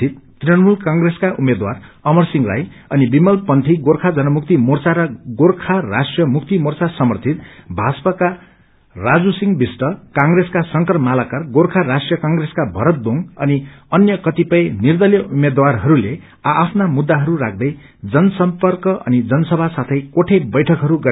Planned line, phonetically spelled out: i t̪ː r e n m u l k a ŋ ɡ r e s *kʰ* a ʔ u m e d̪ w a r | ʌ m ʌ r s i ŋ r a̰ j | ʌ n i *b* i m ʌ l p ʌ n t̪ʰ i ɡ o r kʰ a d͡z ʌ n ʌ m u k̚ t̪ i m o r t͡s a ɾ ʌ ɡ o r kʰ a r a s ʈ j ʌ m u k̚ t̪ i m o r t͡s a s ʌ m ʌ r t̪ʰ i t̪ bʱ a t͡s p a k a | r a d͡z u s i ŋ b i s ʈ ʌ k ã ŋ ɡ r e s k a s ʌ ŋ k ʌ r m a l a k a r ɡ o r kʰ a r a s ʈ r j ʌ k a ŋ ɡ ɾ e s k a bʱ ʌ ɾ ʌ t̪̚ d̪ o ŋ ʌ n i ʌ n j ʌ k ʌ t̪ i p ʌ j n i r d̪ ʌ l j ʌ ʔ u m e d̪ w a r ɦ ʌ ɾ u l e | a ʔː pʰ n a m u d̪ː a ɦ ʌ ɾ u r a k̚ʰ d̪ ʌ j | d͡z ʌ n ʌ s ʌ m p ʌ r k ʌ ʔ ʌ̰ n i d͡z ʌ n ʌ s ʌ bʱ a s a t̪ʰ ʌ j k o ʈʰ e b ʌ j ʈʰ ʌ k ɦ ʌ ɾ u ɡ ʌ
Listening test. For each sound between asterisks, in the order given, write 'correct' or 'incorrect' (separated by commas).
incorrect, correct